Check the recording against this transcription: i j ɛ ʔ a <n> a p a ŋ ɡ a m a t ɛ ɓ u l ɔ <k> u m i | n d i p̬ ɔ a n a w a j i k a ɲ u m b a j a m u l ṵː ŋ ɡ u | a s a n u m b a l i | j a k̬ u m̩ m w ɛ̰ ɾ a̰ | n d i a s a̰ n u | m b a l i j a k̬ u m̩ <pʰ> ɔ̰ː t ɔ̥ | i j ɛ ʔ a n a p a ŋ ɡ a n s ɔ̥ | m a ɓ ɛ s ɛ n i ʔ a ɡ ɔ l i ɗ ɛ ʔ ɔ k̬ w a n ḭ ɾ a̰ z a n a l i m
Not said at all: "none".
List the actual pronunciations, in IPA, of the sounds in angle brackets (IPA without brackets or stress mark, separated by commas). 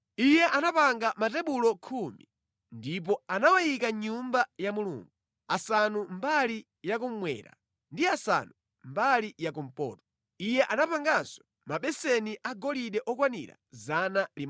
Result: n, kʰ, p